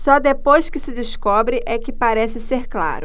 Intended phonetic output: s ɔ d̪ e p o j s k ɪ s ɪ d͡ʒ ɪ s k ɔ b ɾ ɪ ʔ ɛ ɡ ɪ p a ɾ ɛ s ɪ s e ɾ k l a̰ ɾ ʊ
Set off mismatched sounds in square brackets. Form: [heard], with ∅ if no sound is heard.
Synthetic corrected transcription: s ɔ d̪ e p o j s k ɪ s ɪ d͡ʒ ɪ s k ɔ b ɾ ɪ ʔ ɛ [k] ɪ p a ɾ ɛ s ɪ s e ɾ k l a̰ ɾ ʊ

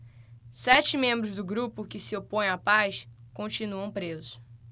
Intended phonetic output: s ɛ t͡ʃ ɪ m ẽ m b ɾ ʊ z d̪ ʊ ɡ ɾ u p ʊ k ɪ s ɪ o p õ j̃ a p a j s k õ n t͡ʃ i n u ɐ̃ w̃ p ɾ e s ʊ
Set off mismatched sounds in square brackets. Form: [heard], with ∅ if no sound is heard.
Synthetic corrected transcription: s ɛ t͡ʃ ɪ m ẽ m b ɾ ʊ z d̪ ʊ ɡ ɾ u p ʊ k ɪ s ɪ o p õ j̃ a p a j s k õ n t͡ʃ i n u ɐ̃ w̃ p ɾ e [z] ʊ

